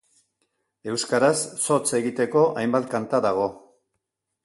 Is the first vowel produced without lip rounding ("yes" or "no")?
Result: yes